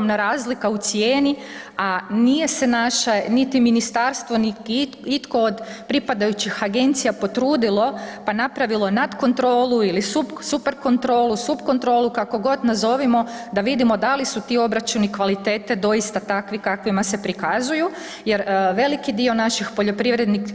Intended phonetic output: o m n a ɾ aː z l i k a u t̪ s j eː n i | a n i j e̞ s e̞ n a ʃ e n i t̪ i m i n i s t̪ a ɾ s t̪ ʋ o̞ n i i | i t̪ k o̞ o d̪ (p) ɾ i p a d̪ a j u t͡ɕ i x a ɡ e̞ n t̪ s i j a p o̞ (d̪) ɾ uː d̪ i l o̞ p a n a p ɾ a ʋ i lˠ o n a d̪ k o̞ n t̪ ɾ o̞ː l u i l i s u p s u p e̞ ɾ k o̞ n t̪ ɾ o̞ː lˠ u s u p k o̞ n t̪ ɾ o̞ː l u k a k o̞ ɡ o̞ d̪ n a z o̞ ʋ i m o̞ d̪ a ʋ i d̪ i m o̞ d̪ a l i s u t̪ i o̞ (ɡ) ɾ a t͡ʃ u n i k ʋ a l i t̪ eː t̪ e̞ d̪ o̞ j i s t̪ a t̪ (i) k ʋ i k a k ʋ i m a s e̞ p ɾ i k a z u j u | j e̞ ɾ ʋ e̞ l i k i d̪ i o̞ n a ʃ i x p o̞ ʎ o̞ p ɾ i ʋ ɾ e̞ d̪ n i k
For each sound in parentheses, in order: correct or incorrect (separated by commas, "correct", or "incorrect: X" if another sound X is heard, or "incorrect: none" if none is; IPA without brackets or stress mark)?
correct, incorrect: t̪, incorrect: b, incorrect: a